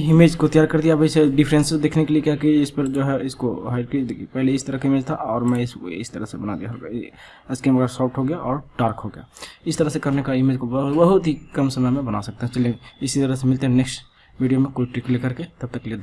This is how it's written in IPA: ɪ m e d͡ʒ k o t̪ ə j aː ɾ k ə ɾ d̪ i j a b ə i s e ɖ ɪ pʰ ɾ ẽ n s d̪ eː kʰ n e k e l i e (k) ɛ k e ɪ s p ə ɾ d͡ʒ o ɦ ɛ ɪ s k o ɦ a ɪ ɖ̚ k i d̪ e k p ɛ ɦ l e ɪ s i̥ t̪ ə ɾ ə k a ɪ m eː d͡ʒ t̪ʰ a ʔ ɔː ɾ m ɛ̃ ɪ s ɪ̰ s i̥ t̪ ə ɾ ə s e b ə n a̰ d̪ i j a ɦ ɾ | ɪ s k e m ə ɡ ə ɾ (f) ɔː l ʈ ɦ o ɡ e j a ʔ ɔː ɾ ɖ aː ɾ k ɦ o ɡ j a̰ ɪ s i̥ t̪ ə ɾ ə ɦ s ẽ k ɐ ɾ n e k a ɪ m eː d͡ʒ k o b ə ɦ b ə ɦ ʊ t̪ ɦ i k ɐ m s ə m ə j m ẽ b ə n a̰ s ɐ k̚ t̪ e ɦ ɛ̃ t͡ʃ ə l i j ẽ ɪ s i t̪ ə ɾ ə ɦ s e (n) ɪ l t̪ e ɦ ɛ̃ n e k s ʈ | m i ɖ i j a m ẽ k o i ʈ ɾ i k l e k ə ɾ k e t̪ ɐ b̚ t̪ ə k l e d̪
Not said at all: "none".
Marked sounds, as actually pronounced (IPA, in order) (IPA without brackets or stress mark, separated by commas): k, s, m